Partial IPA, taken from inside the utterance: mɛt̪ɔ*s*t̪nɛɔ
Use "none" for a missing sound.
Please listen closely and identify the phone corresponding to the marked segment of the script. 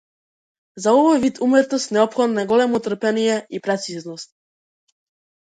s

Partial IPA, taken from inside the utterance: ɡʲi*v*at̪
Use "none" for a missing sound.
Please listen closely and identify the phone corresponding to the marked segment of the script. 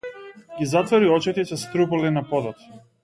z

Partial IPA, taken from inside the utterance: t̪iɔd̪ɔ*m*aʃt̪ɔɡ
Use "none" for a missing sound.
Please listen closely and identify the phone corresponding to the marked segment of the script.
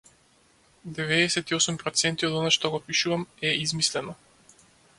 n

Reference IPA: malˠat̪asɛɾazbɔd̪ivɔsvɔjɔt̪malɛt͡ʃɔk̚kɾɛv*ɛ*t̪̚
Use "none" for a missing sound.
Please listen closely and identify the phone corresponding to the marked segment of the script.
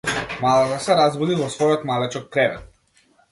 ɛ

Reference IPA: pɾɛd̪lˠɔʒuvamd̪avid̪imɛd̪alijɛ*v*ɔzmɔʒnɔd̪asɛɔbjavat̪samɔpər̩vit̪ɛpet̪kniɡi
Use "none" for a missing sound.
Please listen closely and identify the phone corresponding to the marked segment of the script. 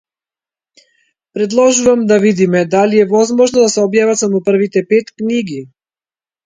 v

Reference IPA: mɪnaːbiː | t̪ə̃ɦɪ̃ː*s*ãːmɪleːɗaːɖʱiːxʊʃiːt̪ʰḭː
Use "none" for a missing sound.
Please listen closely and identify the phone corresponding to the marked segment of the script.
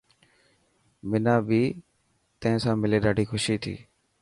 s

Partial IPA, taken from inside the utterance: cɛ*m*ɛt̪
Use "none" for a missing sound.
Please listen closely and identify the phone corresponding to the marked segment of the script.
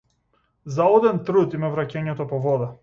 ɲ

